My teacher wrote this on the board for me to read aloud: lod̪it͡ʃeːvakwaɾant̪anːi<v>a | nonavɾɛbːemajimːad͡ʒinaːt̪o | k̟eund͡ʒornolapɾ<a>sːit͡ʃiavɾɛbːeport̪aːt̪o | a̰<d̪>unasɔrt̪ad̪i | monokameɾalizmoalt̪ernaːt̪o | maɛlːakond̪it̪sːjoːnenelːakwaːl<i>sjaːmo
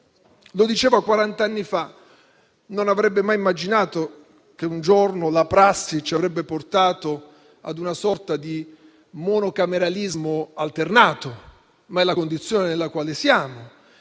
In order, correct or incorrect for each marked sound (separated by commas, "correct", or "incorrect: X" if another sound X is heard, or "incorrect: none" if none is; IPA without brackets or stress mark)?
incorrect: f, correct, correct, incorrect: e